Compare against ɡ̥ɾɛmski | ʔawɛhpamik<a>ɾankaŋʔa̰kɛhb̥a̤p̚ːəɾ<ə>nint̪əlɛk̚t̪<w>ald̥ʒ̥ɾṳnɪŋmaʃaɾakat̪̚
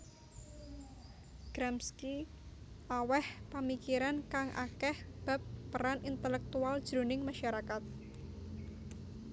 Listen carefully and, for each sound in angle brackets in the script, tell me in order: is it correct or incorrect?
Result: incorrect: i, incorrect: a, incorrect: u

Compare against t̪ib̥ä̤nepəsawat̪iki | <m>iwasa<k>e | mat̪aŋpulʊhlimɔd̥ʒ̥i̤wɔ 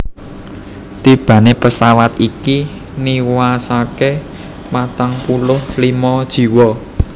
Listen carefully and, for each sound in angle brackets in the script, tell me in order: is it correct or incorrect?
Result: incorrect: n, correct

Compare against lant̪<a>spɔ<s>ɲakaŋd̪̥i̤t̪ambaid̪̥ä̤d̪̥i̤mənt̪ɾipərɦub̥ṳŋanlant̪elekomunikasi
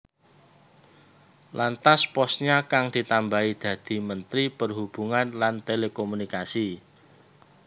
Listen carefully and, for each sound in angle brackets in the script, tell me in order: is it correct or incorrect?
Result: correct, correct

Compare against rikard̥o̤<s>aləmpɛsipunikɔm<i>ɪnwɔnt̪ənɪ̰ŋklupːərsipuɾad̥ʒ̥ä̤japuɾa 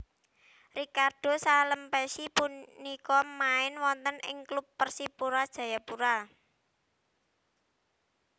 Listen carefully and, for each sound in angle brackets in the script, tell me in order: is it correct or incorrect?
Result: correct, incorrect: a

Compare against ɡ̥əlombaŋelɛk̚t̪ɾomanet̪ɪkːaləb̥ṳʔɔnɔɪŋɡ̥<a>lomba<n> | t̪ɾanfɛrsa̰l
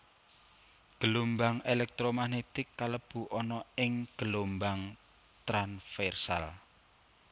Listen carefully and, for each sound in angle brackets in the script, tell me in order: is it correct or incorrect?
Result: incorrect: ə, incorrect: ŋ

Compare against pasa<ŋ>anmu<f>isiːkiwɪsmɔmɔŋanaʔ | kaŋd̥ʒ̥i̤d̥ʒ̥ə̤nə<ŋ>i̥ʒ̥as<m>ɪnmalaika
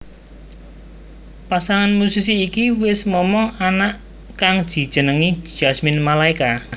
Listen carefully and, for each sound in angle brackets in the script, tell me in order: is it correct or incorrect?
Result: correct, incorrect: s, correct, correct

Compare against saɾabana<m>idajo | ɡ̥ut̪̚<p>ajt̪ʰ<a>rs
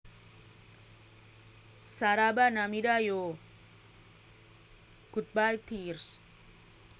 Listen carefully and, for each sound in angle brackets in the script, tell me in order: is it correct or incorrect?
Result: correct, incorrect: b, incorrect: i

